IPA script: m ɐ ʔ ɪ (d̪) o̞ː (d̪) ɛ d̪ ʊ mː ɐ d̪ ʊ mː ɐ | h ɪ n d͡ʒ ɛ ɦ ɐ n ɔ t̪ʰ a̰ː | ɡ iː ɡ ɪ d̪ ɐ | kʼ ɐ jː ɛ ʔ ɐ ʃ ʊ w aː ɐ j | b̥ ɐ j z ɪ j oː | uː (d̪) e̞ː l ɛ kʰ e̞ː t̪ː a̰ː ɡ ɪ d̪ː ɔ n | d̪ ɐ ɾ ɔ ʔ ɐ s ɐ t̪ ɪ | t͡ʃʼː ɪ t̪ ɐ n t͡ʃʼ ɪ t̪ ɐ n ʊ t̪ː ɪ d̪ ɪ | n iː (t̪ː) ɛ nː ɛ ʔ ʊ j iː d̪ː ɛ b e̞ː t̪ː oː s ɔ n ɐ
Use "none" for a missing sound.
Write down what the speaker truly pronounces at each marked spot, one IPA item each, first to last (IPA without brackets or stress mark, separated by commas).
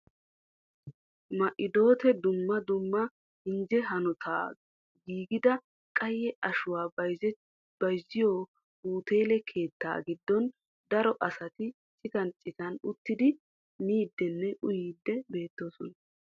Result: d̪, t̪, t̪, d̪ː